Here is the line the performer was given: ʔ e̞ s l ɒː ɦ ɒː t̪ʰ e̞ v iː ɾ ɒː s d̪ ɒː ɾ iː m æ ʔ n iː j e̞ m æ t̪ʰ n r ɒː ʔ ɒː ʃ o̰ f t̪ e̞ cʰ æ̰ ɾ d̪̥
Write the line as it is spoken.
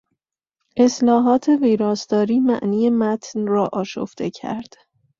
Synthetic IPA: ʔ e̞ s l ɒː ɦ ɒː t̪ʰ e̞ v iː ɾ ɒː s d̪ ɒː ɾ iː m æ ʔ n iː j e̞ m æ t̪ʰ n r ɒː ʔ ɒː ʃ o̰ f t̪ e̞ cʰ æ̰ ɾ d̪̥